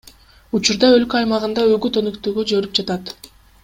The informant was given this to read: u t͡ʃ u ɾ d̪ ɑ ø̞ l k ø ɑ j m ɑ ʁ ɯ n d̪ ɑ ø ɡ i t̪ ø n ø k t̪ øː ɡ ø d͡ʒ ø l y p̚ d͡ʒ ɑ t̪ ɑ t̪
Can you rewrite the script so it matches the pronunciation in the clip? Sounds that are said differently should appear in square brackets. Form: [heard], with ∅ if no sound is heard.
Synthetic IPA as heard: u t͡ʃ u ɾ d̪ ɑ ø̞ l k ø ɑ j m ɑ ʁ ɯ n d̪ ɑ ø ɡ [y] t̪ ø n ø k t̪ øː ɡ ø d͡ʒ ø [ɾ] y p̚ d͡ʒ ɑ t̪ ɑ t̪